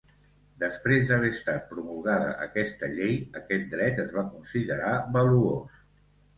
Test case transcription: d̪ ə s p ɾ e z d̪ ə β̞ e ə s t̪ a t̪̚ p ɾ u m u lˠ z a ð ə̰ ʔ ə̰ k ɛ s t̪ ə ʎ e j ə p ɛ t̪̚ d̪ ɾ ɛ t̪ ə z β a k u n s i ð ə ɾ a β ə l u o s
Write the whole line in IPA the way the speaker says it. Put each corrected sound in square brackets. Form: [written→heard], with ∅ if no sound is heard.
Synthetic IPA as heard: d̪ ə s p ɾ e z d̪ ə β̞ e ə s t̪ a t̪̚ p ɾ u m u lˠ [z→ɣ] a ð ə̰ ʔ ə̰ k ɛ s t̪ ə ʎ e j ə [p→k] ɛ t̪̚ d̪ ɾ ɛ t̪ ə z β a k u n s i ð ə ɾ a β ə l u o s